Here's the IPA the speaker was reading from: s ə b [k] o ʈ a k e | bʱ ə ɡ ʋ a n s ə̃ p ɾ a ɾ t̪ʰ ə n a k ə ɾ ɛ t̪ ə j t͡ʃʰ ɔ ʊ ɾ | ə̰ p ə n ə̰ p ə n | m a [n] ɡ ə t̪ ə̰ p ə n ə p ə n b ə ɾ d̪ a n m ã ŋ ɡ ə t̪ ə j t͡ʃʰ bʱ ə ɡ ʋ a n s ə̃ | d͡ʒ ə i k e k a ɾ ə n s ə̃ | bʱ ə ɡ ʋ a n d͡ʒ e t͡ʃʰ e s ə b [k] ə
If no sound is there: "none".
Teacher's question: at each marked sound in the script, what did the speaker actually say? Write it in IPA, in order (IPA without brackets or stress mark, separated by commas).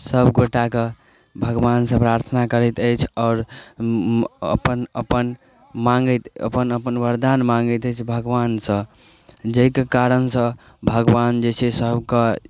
ɡ, ŋ, k